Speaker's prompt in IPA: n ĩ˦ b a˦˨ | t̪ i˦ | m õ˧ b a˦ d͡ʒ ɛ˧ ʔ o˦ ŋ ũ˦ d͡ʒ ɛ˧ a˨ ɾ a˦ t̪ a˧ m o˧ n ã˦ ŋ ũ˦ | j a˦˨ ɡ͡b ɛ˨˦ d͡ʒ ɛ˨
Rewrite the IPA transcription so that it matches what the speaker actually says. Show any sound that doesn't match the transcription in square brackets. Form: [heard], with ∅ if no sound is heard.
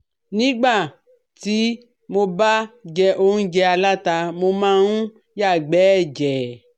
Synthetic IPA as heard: n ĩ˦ [ɡ͡b] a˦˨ | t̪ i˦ | m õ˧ b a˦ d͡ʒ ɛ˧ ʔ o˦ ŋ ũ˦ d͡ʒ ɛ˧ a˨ [l] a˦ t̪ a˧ m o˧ [m] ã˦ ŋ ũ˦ | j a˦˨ ɡ͡b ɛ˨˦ d͡ʒ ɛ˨